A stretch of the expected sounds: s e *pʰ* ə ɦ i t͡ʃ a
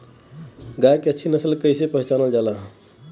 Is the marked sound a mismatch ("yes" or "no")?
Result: yes